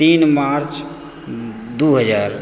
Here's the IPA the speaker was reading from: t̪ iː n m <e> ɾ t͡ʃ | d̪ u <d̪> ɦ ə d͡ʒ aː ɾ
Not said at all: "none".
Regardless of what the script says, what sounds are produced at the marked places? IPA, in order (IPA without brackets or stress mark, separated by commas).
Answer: a, none